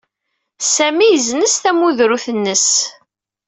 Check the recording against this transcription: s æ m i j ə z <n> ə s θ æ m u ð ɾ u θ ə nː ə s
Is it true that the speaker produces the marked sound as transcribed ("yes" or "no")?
yes